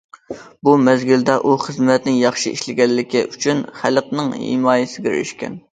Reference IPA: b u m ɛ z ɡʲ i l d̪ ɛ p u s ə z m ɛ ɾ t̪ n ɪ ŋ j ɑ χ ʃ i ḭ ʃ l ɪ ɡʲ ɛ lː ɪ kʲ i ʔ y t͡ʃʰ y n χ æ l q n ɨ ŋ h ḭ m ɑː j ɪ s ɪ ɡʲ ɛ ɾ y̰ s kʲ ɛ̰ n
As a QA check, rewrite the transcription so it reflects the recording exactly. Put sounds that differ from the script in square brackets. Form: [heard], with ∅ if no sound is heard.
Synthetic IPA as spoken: b u m ɛ z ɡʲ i l d̪ ɛ [ʔ] u [χ] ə z m ɛ [∅] t̪ n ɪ ŋ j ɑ χ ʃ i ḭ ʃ l ɪ ɡʲ ɛ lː ɪ kʲ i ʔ y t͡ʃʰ y n χ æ l q n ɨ ŋ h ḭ m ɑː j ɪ s ɪ ɡʲ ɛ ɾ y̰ [ʃ] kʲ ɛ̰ n